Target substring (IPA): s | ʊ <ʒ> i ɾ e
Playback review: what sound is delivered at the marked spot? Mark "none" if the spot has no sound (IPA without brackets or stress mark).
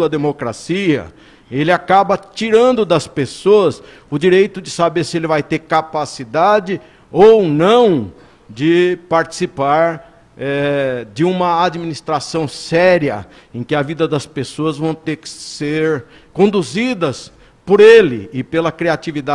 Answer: d͡ʒ